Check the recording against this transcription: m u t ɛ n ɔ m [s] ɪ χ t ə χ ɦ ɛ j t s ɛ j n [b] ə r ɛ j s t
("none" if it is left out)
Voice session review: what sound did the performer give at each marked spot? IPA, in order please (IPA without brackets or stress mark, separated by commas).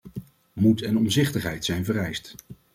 z, v